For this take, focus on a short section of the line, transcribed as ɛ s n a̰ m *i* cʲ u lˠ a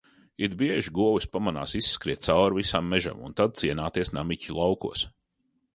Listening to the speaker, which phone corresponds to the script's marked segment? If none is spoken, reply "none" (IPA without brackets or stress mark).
i